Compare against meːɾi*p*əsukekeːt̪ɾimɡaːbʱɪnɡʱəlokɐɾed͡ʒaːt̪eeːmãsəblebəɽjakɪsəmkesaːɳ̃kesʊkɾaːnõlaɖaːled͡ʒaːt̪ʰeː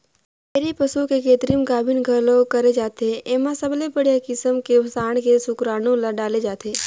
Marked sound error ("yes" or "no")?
no